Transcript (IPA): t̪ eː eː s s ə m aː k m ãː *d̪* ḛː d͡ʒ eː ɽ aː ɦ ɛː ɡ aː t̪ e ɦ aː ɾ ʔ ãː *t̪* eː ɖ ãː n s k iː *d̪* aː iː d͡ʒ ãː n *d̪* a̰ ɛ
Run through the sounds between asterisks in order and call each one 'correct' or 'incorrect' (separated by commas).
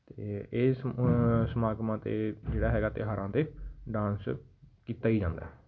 incorrect, correct, incorrect, correct